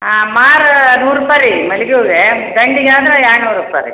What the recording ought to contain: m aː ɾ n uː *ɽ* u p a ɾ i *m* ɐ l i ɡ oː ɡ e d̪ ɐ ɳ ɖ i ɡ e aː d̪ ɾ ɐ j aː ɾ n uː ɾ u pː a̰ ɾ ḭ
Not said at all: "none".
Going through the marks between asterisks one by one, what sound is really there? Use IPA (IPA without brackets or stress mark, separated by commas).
ɾ, m